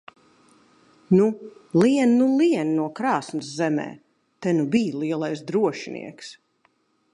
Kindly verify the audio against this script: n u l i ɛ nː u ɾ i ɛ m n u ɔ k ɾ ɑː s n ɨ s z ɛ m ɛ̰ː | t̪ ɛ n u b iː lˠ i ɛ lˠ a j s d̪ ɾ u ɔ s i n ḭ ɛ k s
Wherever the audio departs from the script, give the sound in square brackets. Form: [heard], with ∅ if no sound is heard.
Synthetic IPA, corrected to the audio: n u l i ɛ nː u [l] i ɛ [n] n u ɔ k ɾ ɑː s n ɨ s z ɛ m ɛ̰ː | t̪ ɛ n u b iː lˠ i ɛ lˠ a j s d̪ ɾ u ɔ [ʃ] i n ḭ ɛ k s